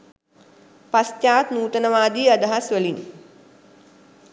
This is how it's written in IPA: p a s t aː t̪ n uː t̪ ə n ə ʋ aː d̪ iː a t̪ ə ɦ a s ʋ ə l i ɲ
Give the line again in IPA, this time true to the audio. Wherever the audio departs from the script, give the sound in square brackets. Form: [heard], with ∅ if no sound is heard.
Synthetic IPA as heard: p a s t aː t̪ n uː t̪ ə n ə ʋ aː d̪ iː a [d̪] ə ɦ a s ʋ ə l i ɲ